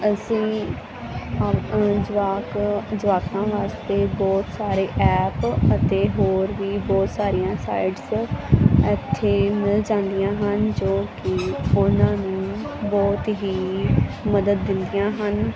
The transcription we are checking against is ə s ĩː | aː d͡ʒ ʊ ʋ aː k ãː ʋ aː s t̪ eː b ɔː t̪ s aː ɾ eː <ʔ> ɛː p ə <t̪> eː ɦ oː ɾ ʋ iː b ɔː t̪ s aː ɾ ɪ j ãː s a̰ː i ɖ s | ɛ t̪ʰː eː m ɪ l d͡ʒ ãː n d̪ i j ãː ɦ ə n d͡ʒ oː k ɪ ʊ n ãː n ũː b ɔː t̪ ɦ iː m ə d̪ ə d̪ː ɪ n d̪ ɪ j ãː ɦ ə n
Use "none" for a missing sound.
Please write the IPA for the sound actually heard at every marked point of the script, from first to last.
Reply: ʔ, t̪

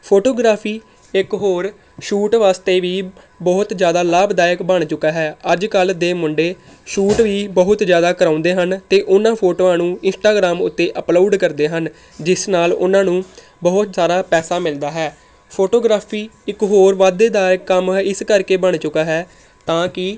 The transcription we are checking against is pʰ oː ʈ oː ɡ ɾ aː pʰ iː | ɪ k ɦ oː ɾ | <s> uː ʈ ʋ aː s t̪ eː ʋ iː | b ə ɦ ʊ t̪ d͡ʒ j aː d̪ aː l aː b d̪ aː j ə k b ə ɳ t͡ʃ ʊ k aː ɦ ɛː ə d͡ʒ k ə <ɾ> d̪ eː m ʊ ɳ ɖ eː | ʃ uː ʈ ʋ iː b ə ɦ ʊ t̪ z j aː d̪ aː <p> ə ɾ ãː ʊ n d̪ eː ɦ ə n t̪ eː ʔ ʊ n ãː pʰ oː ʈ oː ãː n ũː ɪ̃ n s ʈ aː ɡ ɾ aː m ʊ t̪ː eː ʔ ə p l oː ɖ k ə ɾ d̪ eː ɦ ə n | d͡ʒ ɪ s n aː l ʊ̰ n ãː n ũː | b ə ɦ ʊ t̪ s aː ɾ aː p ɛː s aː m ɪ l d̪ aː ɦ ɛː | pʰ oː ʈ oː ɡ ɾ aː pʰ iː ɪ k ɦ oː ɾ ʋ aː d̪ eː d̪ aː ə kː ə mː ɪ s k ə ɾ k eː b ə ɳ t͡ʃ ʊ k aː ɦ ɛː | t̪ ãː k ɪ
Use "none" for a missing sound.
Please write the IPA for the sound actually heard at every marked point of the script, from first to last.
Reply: ʃ, l, k

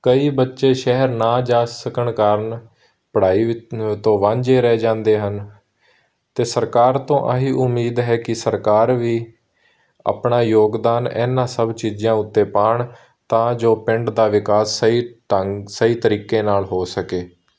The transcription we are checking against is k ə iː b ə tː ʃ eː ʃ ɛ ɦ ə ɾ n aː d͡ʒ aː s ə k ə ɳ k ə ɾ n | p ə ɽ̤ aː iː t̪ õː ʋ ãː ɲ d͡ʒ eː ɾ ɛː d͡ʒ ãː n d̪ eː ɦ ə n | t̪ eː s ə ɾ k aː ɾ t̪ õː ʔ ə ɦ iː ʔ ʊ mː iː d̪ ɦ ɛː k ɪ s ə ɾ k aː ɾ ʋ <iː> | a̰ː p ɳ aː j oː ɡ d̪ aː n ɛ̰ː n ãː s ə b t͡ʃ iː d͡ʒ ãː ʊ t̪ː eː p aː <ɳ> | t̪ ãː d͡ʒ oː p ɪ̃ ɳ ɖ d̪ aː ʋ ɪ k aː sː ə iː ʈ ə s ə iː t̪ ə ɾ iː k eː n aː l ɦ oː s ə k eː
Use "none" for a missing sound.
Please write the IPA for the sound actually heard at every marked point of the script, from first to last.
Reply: iː, ɳ

